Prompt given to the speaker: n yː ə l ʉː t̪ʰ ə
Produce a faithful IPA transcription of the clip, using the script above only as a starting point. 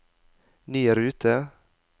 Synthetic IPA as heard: n yː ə ɾ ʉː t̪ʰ ə